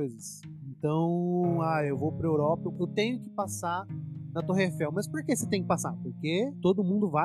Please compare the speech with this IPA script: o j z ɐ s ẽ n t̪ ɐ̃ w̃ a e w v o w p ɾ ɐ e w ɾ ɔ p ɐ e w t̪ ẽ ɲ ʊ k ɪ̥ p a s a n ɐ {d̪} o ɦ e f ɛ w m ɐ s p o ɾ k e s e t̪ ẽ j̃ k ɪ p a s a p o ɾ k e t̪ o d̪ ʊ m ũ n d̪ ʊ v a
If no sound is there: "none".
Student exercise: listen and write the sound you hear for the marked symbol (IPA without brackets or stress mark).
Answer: t̪